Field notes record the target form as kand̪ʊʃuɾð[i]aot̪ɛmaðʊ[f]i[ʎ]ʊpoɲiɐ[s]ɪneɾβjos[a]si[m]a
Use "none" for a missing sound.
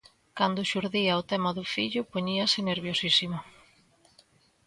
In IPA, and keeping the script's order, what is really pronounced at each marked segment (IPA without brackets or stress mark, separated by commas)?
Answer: i, f, ʎ, s, i, m